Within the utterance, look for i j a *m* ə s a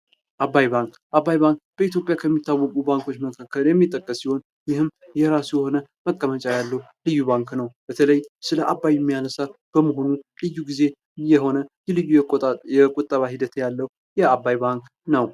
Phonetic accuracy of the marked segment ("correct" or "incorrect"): incorrect